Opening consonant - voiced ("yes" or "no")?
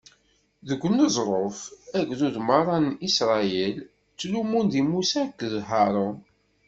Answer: yes